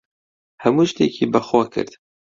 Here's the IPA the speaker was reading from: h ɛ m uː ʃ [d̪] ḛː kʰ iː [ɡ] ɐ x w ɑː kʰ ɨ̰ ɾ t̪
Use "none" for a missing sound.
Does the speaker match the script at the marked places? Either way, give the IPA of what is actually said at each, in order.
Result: t̪, b

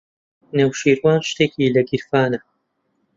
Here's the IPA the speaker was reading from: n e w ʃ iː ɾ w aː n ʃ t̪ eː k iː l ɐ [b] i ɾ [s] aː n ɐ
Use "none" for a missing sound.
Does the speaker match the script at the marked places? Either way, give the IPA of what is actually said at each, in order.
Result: ɡ, f

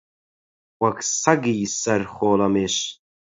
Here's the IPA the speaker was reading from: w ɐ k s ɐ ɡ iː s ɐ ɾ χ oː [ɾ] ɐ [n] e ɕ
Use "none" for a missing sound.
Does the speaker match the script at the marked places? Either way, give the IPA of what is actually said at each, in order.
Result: l, m

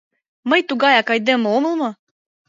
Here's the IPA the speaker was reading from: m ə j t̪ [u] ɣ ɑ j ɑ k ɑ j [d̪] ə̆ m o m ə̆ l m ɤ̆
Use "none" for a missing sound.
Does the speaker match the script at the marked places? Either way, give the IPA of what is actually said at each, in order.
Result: u, d̪

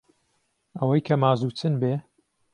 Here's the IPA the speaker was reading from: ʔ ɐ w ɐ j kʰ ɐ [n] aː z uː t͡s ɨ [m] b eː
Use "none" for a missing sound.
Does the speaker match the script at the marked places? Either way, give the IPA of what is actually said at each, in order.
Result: m, n

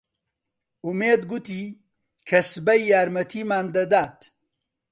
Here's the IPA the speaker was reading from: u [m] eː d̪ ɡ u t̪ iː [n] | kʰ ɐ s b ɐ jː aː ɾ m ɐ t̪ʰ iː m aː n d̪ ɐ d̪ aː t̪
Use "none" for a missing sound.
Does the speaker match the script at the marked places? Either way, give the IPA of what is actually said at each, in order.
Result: m, none

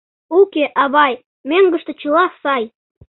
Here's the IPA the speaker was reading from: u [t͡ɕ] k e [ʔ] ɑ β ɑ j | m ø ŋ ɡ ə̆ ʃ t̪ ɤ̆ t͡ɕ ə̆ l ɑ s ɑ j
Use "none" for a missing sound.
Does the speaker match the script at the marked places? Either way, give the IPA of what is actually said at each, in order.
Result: none, ʔ

